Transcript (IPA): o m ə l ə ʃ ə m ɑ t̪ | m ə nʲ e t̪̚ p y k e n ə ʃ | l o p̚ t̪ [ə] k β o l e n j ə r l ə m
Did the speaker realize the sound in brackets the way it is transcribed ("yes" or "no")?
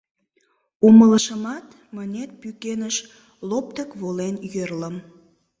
yes